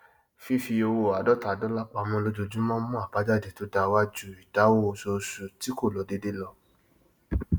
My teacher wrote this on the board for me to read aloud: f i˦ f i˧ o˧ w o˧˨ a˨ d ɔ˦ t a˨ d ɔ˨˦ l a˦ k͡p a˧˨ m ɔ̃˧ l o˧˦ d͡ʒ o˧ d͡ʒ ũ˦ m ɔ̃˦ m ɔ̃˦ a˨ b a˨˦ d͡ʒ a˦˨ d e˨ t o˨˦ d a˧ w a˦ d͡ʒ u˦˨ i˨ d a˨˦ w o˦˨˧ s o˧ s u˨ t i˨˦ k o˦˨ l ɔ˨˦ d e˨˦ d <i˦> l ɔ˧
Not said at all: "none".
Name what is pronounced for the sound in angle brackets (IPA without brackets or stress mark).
e˦